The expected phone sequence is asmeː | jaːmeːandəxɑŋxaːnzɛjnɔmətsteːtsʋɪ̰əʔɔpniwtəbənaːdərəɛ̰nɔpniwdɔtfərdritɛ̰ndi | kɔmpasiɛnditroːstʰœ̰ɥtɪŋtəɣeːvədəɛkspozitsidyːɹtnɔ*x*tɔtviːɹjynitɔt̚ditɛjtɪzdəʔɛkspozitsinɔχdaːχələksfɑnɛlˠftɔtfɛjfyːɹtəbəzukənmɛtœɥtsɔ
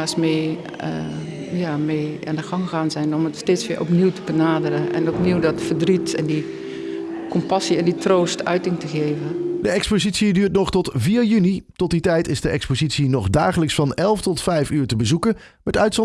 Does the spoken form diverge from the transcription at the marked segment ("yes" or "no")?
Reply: yes